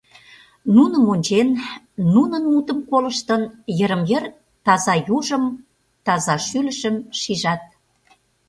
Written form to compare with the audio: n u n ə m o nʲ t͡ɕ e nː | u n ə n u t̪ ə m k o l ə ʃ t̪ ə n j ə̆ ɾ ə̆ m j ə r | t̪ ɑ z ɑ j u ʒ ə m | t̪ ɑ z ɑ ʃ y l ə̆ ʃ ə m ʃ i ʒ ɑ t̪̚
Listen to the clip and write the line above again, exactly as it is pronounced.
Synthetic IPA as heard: n u n ə m o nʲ t͡ɕ e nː | u n ə n u t̪ ə m k o l ə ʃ t̪ ə n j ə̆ ɾ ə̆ m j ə r | t̪ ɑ z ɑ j u ʒ ə m | t̪ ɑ z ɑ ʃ y l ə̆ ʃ ə m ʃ i ʒ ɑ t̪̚